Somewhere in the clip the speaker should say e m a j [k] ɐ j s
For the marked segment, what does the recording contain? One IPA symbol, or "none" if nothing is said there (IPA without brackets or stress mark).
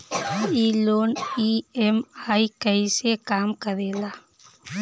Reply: k